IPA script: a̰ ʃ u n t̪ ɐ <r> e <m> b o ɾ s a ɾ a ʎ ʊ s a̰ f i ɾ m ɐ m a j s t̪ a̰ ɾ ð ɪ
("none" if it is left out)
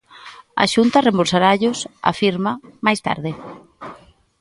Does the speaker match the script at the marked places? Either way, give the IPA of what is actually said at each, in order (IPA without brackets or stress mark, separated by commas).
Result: r, m